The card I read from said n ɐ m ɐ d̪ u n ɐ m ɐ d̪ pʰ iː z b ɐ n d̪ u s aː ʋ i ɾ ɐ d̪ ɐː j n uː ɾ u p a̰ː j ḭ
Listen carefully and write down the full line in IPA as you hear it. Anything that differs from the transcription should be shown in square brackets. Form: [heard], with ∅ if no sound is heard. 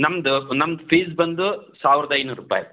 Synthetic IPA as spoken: n ɐ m ɐ d̪ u n ɐ m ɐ d̪ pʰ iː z b ɐ n d̪ u s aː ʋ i ɾ ɐ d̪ [ɐ] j n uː ɾ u p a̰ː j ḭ